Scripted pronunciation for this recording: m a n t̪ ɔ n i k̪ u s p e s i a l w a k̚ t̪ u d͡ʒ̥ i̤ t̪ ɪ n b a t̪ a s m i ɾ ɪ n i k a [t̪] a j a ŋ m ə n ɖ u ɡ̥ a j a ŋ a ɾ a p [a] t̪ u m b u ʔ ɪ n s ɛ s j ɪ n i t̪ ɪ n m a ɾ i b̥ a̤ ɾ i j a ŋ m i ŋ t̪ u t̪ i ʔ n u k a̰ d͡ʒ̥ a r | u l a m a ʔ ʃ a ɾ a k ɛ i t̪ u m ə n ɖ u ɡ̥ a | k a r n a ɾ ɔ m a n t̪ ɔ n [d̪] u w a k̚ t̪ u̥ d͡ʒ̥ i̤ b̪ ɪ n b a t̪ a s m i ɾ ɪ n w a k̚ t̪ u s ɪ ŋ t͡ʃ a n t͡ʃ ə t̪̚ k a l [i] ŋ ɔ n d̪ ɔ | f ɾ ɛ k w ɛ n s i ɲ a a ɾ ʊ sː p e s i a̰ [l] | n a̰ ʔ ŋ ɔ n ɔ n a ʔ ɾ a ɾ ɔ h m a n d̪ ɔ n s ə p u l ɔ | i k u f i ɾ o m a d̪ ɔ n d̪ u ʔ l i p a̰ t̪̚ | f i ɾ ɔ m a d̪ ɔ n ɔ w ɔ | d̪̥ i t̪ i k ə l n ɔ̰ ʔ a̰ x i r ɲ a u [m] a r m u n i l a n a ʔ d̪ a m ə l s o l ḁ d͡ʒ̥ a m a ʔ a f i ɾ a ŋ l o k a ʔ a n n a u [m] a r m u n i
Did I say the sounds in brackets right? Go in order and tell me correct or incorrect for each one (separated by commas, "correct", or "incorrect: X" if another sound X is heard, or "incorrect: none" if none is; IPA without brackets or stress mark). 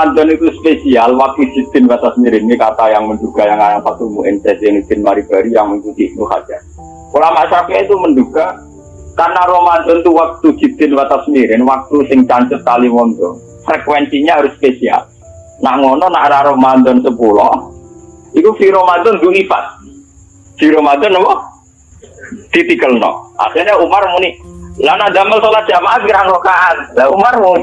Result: correct, correct, incorrect: t̪, correct, correct, correct, correct